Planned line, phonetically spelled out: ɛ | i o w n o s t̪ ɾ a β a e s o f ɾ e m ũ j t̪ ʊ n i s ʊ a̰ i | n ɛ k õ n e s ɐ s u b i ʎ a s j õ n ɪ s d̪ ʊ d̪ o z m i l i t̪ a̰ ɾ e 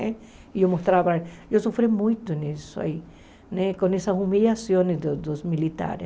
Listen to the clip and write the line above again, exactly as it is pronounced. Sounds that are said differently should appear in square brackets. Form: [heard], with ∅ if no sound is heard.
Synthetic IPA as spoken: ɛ | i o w [m] o s t̪ ɾ a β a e s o f ɾ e m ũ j t̪ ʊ n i s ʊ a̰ i | n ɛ k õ n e s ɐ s u [m] i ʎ a s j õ n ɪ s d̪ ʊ d̪ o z m i l i t̪ a̰ ɾ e